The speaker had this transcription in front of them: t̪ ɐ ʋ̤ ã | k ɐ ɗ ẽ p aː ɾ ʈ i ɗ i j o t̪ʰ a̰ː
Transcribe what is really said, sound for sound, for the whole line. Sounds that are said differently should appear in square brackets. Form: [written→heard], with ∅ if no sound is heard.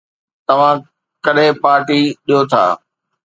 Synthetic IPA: t̪ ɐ ʋ̤ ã | k ɐ ɗ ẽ p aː ɾ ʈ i ɗ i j o t̪ʰ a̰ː